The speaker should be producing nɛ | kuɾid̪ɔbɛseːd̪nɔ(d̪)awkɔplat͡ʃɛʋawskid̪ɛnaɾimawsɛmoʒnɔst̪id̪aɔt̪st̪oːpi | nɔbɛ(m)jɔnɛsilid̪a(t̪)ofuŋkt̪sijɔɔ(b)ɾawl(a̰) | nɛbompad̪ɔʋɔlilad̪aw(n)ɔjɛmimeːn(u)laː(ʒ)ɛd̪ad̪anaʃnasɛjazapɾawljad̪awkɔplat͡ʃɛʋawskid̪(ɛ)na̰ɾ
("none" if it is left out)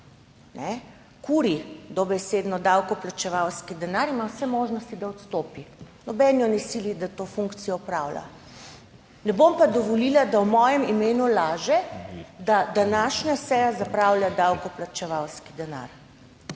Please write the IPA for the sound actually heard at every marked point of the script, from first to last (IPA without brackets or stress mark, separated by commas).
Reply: d̪, n, t̪, p, a̰, m, u, ʒ, ɛ